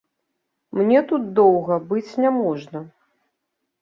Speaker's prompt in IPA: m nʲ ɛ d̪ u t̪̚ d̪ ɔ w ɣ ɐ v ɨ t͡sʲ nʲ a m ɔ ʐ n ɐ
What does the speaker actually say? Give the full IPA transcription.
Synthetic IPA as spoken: m nʲ ɛ t̪ u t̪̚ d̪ ɔ w ɣ ɐ b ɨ t͡sʲ nʲ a m ɔ ʐ n ɐ